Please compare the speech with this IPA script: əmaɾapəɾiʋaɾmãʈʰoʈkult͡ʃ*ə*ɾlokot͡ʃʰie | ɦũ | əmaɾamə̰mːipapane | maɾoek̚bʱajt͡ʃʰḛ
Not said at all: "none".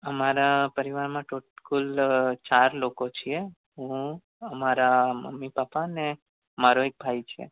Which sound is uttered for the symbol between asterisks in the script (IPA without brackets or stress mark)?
a